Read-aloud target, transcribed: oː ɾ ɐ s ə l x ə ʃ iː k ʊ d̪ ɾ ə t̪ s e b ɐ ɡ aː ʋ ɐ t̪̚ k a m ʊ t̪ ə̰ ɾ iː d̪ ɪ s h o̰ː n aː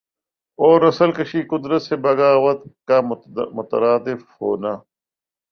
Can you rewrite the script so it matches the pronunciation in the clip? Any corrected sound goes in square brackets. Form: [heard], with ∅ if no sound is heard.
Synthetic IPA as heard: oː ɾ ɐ s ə l [k] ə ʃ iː k ʊ d̪ ɾ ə t̪ s e b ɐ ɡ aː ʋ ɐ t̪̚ k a m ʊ t̪ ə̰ ɾ [aː] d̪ ɪ [f] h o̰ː n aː

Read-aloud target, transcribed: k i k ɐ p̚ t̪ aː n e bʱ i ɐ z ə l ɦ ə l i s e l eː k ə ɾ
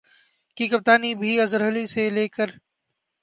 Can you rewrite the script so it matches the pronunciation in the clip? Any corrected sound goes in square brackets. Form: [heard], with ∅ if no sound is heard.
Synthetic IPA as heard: k i k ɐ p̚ t̪ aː n [i] bʱ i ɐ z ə [ɾ] ɦ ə l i s e l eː k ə ɾ

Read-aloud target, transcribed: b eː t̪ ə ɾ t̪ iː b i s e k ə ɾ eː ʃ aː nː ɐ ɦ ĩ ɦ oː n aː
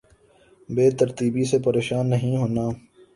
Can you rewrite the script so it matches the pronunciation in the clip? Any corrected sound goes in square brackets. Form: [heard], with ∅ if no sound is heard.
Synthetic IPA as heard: b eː t̪ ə ɾ t̪ iː b i s e [p] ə ɾ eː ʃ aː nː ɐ ɦ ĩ ɦ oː n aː

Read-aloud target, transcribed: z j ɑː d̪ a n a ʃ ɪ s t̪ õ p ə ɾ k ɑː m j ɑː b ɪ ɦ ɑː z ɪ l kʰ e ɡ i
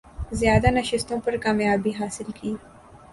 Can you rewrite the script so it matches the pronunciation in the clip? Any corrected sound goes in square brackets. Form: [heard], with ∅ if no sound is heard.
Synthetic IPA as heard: z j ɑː d̪ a n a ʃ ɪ s t̪ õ p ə ɾ k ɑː m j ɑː b [i] ɦ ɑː [s] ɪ l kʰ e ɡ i

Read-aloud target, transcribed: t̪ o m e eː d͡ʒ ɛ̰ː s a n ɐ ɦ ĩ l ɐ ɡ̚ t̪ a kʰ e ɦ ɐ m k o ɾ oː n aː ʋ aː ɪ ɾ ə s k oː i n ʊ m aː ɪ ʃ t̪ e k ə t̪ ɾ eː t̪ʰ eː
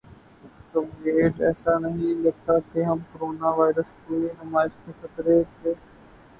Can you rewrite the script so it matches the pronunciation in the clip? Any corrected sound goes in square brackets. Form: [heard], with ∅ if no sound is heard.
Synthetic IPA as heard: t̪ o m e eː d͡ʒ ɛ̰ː s a n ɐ ɦ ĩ l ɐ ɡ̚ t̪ a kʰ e ɦ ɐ m k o ɾ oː n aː ʋ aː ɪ ɾ ə s k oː i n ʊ m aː ɪ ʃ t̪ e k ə t̪ ɾ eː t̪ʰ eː

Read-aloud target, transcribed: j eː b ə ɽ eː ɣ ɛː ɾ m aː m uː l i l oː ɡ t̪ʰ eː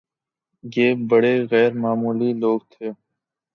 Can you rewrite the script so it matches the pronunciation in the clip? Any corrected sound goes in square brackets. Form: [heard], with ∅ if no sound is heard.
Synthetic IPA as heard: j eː b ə ɽ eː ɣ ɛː ɾ m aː m uː l i l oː ɡ t̪ʰ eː

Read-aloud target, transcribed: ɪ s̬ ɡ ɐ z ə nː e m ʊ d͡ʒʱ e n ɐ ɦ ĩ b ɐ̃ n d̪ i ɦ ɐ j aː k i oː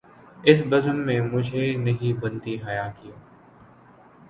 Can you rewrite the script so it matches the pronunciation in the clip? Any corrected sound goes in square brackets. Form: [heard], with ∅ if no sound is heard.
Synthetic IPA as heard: ɪ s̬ [b] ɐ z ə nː [ẽ] m ʊ d͡ʒʱ e n ɐ ɦ ĩ b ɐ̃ n [t̪] i ɦ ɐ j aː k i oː

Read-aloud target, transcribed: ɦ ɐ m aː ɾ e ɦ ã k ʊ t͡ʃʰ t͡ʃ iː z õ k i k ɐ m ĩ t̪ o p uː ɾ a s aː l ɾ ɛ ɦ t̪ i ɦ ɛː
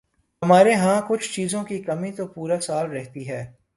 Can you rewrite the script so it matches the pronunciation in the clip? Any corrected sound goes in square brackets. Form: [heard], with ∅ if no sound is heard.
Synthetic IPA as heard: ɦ ɐ m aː ɾ e ɦ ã k ʊ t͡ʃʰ t͡ʃ iː z õ k i k ɐ m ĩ t̪ o p uː ɾ a s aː l ɾ ɛ ɦ t̪ i ɦ ɛː

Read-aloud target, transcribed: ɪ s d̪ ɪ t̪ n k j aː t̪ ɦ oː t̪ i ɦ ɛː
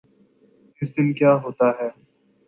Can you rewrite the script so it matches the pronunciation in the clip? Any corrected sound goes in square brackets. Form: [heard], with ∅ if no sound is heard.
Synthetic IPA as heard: ɪ s d̪ ɪ [∅] n k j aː [∅] ɦ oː t̪ [a] ɦ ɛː

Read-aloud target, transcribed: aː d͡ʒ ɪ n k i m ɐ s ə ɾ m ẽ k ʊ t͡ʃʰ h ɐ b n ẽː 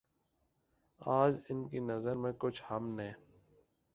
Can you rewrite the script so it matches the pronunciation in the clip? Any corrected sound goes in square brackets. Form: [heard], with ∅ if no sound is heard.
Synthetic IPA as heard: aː d͡ʒ ɪ n k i [n] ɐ [z] ə ɾ m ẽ k ʊ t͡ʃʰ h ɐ [m] n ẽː

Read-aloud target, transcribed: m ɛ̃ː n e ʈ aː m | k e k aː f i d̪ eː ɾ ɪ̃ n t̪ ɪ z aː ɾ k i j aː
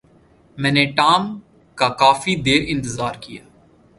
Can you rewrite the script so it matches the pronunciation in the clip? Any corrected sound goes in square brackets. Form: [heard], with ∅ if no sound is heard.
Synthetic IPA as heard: m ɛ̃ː n e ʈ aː m | k [a] k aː f i d̪ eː ɾ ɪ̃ n t̪ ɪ z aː ɾ k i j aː

